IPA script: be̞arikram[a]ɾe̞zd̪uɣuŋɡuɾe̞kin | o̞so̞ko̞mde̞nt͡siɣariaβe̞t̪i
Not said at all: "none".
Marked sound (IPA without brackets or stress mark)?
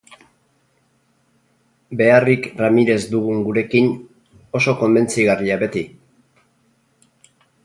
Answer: i